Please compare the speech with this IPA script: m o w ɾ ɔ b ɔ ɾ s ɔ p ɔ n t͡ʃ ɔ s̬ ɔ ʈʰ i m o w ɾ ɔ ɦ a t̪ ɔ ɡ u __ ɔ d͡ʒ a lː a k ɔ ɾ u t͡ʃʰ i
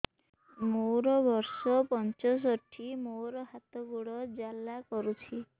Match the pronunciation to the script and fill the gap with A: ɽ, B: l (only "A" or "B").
A